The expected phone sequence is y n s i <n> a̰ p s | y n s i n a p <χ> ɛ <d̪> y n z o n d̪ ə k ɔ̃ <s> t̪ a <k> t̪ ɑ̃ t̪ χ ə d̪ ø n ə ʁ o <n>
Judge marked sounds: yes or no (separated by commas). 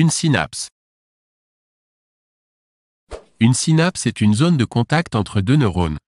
yes, no, no, no, yes, yes